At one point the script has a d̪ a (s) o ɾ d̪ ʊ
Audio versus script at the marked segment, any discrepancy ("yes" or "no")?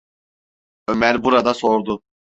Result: no